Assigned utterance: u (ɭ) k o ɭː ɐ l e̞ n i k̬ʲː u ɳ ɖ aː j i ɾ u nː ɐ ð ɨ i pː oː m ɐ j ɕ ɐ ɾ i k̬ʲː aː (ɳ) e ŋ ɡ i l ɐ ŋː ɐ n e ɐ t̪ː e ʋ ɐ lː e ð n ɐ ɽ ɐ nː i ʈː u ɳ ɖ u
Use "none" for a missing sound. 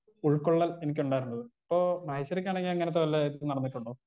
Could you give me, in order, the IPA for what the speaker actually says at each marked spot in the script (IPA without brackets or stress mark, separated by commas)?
ɭ, ɳ